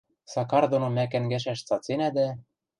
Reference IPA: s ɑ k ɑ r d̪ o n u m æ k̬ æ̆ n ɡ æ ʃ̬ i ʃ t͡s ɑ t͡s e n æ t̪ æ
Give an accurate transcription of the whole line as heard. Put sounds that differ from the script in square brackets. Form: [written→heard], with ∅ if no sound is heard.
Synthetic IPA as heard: s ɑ k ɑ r d̪ o n [u→o] m æ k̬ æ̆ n ɡ æ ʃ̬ [i→æ] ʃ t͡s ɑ t͡s e n æ [t̪→d̪] æ